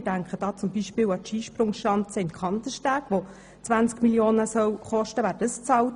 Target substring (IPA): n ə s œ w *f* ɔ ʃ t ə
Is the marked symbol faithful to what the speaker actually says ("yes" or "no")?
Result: no